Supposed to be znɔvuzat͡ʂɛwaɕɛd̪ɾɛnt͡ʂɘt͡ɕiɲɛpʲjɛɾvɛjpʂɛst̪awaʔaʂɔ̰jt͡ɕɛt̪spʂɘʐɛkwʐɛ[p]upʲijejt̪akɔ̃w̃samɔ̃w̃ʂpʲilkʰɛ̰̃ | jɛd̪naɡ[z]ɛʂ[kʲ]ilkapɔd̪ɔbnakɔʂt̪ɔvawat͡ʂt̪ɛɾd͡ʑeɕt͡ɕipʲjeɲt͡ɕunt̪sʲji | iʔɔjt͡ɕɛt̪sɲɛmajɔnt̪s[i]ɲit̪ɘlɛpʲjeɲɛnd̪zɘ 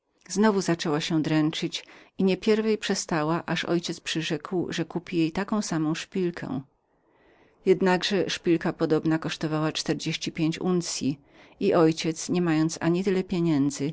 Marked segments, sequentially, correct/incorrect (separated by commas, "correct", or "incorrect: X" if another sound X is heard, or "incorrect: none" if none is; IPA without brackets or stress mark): incorrect: k, incorrect: ʐ, incorrect: pʲ, incorrect: a